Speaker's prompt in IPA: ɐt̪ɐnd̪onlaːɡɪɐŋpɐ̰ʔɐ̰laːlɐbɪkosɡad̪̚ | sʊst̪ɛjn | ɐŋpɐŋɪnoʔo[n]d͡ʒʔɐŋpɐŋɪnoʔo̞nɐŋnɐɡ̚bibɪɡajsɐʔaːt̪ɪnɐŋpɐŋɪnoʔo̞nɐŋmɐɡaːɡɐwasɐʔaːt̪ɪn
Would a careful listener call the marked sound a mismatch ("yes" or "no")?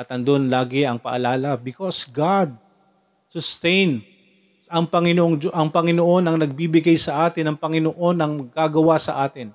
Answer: yes